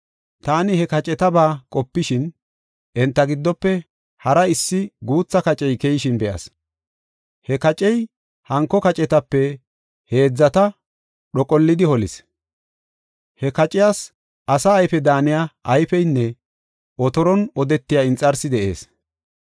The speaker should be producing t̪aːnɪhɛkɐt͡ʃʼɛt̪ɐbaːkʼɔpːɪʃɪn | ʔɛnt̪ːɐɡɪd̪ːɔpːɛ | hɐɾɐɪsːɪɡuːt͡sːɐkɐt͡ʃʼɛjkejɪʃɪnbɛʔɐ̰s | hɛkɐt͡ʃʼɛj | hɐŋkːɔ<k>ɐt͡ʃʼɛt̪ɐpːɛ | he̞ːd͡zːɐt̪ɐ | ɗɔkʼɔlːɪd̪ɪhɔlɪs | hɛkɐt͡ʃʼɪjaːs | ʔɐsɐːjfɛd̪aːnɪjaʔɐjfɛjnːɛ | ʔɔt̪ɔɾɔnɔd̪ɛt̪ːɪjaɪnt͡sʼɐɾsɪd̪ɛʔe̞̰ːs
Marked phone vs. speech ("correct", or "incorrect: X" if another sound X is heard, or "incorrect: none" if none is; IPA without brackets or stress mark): correct